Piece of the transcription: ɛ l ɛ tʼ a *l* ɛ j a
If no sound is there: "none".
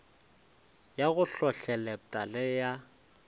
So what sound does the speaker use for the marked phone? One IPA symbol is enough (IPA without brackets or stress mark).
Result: l